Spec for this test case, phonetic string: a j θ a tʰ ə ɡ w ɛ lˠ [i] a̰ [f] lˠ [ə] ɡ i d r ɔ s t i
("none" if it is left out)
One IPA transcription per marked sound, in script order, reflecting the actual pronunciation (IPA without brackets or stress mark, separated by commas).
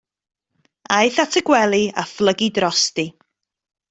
i, f, ə